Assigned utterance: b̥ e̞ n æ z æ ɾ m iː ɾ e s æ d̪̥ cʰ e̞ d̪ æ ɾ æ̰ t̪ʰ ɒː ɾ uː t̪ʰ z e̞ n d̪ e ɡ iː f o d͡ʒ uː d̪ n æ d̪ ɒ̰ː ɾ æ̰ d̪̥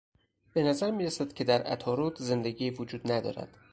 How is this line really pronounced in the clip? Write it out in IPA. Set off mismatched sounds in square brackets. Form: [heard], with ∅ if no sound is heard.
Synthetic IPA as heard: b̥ e̞ n æ z æ ɾ m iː ɾ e s æ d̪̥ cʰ e̞ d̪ æ ɾ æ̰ t̪ʰ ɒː ɾ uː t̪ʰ z e̞ n d̪ e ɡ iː [v] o d͡ʒ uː d̪ n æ d̪ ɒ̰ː ɾ æ̰ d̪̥